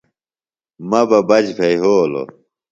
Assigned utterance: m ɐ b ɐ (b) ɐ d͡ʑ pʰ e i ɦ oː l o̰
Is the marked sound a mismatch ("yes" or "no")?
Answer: no